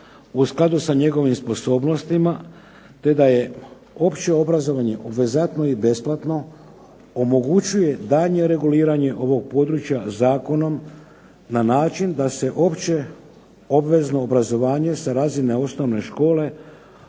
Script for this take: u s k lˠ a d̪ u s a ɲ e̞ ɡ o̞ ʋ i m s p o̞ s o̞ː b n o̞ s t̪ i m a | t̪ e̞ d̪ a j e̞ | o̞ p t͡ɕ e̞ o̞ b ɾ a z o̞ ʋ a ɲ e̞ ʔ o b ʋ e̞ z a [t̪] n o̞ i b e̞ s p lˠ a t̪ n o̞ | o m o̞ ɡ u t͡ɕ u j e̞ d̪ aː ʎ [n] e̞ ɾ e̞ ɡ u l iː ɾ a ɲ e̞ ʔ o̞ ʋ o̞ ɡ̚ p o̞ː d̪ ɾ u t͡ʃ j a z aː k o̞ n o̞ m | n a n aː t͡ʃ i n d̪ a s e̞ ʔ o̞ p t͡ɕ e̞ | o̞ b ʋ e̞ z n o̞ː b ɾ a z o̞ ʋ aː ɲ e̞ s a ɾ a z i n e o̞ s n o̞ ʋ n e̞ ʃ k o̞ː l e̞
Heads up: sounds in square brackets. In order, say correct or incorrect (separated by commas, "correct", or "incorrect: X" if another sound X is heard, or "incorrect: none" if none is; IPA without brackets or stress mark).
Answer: correct, incorrect: ɲ